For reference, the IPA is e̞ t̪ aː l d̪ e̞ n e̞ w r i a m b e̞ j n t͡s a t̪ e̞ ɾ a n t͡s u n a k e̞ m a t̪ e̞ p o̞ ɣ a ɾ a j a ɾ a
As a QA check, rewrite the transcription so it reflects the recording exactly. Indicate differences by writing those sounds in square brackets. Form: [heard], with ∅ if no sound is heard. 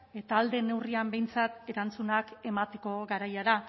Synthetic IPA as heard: e̞ t̪ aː l d̪ e̞ n e̞ w r i a m b e̞ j n t͡s a t̪ e̞ ɾ a n t͡s u n a k e̞ m a t̪ e̞ [k] o̞ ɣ a ɾ a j a ɾ a